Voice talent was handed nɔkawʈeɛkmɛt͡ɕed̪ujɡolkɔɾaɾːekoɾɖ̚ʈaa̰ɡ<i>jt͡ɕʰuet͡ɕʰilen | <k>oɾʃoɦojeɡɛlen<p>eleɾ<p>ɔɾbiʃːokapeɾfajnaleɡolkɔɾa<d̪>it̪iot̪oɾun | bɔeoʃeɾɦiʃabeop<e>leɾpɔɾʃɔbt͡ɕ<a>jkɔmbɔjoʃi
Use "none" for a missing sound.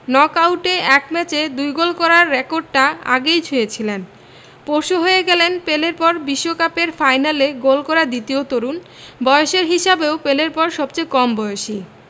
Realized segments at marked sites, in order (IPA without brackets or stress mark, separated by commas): e, p, p, p, d̪, e, e